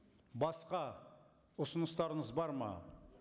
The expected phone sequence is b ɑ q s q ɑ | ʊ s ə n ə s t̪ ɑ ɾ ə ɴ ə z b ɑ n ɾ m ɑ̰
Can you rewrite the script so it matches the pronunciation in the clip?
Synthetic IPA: b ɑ s q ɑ | ʊ s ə n ə s t̪ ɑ ɾ ə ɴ ə z b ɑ ɾ m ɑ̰